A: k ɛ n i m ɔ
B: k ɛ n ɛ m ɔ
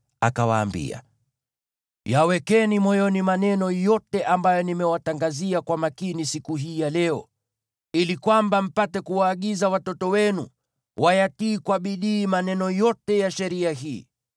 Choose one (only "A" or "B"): A